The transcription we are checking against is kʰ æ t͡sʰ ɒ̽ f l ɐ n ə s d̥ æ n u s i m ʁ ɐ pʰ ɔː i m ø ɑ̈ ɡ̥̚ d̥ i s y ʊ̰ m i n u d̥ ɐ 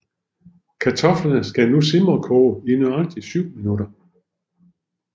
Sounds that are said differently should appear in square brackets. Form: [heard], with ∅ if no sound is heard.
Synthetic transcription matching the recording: kʰ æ t͡sʰ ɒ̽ f l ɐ n ə s [ɡ̥] æ n u s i m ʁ ɐ [kʰ] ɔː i [n] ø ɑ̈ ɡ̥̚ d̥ i s y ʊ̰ m i n u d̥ ɐ